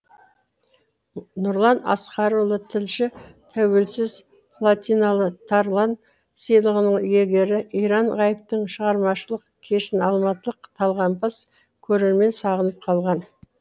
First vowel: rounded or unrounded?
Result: rounded